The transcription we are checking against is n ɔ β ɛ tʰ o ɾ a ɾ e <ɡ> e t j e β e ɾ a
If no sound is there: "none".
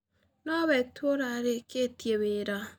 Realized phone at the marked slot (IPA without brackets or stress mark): k